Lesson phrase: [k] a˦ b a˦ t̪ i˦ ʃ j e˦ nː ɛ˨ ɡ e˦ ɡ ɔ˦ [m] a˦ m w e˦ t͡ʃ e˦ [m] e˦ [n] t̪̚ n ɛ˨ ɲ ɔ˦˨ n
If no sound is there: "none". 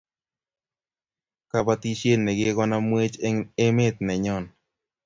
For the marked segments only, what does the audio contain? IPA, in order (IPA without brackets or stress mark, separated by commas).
k, n, m, none